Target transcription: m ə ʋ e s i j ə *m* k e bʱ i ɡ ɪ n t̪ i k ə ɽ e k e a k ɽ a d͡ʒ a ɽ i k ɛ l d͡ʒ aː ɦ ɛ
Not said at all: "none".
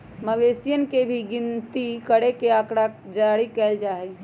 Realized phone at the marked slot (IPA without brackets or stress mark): n